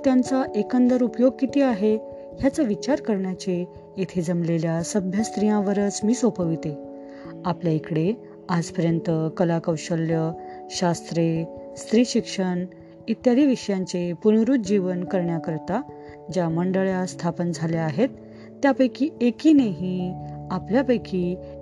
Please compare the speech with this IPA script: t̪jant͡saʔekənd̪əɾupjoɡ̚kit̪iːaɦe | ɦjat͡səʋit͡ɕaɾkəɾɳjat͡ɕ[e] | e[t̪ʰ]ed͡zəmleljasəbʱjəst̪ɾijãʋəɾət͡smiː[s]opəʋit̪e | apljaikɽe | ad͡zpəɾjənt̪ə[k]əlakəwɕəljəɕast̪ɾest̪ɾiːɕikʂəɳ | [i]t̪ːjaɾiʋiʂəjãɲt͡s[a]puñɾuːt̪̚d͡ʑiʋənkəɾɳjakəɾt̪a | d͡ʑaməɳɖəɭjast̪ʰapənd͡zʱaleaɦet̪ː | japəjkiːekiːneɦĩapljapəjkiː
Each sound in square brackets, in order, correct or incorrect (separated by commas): correct, correct, correct, correct, correct, incorrect